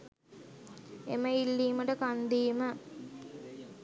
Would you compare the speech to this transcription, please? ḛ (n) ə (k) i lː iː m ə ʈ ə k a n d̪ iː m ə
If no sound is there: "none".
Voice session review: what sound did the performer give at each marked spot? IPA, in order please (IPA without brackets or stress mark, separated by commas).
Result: m, none